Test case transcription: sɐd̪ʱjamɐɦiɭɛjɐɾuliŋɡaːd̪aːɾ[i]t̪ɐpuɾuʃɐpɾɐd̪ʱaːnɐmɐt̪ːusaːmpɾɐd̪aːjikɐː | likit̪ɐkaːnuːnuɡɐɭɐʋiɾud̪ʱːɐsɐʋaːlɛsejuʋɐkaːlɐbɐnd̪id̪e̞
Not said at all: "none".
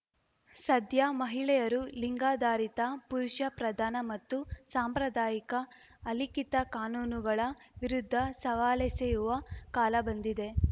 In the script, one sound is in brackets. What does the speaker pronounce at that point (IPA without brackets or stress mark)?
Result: i